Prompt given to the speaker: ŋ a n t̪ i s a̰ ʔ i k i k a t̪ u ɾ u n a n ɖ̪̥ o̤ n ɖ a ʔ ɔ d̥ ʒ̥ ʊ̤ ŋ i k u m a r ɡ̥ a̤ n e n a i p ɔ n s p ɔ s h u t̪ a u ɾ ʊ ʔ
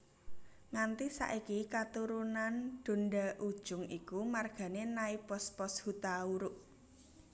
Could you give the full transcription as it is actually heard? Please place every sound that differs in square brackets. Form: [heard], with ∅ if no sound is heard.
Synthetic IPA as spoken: ŋ a n t̪ i s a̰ ʔ i k i k a t̪ u ɾ u n a n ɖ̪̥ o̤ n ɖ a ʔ [u] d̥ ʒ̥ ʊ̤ ŋ i k u m a r ɡ̥ a̤ n e n a i p ɔ [∅] s p ɔ s h u t̪ a u ɾ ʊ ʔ